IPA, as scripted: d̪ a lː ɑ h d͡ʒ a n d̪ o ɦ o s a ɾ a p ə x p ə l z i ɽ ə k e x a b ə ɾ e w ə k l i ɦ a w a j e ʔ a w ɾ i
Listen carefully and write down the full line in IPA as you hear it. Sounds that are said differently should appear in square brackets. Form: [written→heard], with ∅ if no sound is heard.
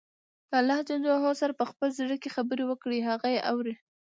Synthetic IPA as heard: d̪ a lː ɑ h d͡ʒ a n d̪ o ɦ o s a ɾ a p ə x p ə l z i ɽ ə k e x a b ə ɾ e w ə k [l→ɽ] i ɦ a [w→ɣ] a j e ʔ a w ɾ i